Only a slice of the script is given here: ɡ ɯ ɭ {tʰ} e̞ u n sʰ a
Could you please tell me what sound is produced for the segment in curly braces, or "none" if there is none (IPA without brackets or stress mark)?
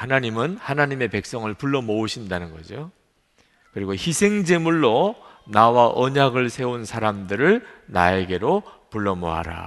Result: sʰ